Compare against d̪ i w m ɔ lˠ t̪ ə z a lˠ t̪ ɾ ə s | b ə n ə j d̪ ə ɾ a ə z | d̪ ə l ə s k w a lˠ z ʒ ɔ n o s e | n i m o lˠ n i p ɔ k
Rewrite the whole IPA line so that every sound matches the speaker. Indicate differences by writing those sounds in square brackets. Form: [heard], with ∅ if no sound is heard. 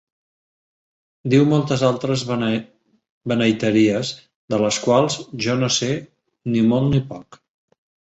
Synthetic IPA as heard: d̪ i w m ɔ lˠ t̪ ə z a lˠ t̪ ɾ ə [z] | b ə n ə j [t̪] ə ɾ [i] ə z | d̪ ə l ə s k w a lˠ z ʒ ɔ n o s e | n i m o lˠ n i p ɔ k

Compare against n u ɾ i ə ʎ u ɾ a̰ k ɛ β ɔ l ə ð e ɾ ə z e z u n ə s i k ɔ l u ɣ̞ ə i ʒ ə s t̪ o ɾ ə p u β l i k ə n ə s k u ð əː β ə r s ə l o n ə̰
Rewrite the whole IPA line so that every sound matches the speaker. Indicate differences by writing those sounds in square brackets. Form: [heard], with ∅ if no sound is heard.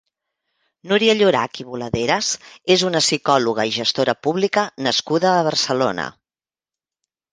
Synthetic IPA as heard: n u ɾ i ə ʎ u ɾ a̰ k [i] β [u] l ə ð e ɾ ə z e z u n ə s i k ɔ l u ɣ̞ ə i ʒ ə s t̪ o ɾ ə p u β l i k ə n ə s k u ð əː β ə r s ə l o n ə̰

